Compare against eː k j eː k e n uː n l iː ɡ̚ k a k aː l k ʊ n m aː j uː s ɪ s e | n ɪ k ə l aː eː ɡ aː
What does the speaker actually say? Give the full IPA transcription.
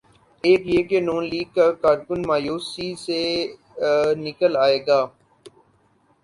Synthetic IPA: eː k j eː k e n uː n l iː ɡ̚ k a k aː ɾ k ʊ n m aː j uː s i s e | n ɪ k ə l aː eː ɡ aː